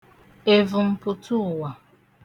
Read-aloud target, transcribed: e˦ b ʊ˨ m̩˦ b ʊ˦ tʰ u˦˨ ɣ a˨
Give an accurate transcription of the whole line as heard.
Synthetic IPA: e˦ v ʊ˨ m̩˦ p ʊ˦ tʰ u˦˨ w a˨